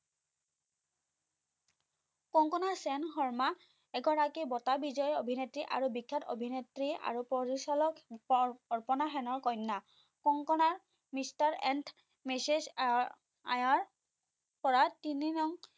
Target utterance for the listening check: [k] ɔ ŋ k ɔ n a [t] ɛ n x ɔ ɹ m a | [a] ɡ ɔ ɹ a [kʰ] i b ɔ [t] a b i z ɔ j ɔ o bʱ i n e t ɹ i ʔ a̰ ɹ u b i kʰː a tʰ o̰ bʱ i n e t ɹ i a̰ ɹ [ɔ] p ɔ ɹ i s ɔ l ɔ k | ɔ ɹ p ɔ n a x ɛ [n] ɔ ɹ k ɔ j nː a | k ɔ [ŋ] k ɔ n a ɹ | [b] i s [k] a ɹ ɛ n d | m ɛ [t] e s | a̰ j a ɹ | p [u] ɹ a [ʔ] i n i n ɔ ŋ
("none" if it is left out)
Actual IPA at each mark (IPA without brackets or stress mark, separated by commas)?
k, s, ɛ, k, t, u, n, ŋ, m, t, s, ɔ, t